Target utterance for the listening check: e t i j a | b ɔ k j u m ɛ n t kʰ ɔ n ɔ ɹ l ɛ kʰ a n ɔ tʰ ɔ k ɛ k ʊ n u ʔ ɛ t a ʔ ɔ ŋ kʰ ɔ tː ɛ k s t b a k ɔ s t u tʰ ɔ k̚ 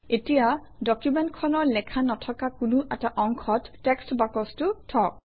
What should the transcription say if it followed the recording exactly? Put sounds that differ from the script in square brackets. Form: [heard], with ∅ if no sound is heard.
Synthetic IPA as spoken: e t i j a | [d] ɔ k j u m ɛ n t kʰ ɔ n ɔ ɹ l ɛ kʰ a n ɔ tʰ ɔ k [a] k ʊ n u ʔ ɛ t a ʔ ɔ ŋ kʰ ɔ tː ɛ k s t b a k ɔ s t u tʰ ɔ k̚